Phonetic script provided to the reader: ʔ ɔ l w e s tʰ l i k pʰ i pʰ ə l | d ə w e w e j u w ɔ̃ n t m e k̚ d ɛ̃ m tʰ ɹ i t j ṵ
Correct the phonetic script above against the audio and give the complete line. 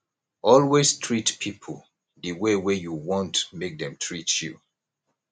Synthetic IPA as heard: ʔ ɔ l w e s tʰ ɹ i t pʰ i pʰ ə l | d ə w e w e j u w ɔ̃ n t m e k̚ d ɛ̃ m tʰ ɹ i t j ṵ